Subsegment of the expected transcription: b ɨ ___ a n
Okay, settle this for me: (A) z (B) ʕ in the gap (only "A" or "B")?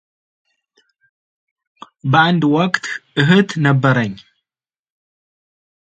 B